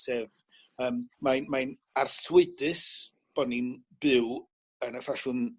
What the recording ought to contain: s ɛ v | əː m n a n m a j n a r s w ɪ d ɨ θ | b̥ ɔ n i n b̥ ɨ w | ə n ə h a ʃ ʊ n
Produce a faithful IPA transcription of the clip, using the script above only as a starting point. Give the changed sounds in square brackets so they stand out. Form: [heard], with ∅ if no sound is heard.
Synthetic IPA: s ɛ v | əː m [m] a n m a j n a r s w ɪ d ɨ [s] | b̥ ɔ n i n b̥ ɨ w | ə n ə [f] a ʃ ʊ n